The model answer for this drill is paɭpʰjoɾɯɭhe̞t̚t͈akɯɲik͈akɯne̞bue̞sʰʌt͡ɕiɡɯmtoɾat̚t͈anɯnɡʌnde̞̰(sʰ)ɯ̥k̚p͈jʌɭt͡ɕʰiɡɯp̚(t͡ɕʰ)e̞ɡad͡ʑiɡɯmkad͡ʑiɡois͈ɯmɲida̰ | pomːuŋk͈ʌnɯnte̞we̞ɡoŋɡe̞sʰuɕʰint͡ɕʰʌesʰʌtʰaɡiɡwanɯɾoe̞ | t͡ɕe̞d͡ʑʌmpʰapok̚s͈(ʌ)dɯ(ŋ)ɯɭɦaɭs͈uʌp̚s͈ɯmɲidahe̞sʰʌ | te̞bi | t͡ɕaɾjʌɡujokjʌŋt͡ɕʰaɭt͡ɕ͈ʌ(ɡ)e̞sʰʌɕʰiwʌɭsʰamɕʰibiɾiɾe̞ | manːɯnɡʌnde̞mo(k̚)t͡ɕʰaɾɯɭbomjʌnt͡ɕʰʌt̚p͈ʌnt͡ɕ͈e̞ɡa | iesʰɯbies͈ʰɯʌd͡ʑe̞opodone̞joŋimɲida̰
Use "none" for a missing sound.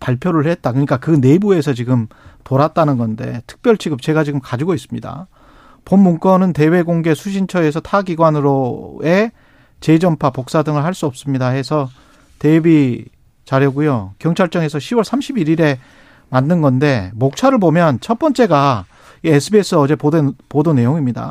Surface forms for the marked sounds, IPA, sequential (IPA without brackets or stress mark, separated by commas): tʰ, t͡ɕ, a, ŋ, ŋ, k̚